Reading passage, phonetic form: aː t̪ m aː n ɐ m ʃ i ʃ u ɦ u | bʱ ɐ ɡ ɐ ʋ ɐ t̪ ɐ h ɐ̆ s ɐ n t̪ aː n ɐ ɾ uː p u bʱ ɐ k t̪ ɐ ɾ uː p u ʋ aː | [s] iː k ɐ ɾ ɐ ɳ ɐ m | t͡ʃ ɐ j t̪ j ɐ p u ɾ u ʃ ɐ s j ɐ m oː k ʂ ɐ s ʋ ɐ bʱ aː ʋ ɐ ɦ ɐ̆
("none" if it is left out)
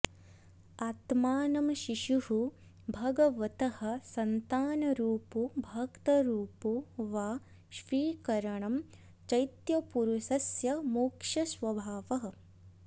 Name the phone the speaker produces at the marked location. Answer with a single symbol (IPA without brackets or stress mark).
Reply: ʃ